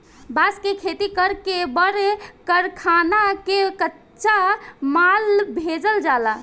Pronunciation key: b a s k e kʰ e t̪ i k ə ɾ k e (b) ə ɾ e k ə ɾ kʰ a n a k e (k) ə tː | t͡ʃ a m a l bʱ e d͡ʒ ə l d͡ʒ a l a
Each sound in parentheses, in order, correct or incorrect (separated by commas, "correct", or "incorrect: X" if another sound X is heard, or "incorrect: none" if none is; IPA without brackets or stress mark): correct, correct